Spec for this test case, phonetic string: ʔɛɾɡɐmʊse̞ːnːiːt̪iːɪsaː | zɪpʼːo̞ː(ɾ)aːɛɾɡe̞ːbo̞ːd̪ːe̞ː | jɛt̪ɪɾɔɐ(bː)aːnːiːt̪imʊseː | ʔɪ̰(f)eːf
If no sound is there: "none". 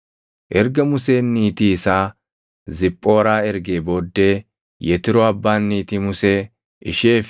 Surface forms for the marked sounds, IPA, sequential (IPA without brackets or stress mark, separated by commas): ɾ, bː, ʃ